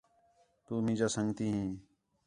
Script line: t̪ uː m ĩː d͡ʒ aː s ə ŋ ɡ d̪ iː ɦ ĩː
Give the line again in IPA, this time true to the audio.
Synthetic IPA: t̪ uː m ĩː d͡ʒ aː s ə ŋ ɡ t̪ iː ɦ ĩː